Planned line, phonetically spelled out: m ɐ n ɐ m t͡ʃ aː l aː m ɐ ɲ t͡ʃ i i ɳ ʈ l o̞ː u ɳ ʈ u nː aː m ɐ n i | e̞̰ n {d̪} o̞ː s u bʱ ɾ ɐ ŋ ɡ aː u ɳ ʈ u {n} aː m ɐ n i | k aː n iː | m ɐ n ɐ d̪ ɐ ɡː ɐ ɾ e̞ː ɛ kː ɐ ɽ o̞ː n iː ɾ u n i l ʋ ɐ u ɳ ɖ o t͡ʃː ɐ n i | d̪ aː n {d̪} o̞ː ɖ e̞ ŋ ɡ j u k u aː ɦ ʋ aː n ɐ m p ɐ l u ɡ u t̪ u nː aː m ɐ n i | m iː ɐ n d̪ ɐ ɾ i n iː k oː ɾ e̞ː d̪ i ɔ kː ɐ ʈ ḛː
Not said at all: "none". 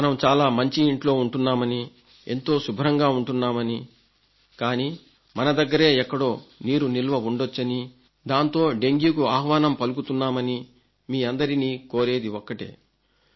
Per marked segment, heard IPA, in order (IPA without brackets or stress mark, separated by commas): t̪, nː, t̪